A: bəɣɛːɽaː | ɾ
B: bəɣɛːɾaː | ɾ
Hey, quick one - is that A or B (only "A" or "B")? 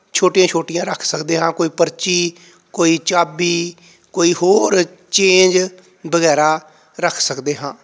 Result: B